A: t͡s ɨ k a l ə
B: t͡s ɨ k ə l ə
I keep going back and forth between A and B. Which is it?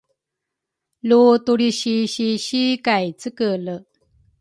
B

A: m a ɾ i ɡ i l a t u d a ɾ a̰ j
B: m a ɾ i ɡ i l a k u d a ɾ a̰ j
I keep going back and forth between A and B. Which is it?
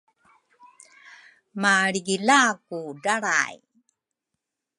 B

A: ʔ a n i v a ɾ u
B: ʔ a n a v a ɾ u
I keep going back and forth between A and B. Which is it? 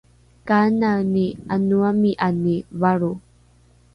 A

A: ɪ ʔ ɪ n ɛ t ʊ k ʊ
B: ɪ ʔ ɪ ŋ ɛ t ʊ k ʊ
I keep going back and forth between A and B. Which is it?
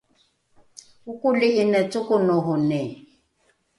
A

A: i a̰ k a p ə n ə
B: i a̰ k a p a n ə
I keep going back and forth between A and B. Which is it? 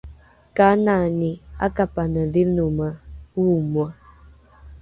B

